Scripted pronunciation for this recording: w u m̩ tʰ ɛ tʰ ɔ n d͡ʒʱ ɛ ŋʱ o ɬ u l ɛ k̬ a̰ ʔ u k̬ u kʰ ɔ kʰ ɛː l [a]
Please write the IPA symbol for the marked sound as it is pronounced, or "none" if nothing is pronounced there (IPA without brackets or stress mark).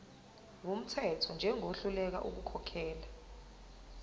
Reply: a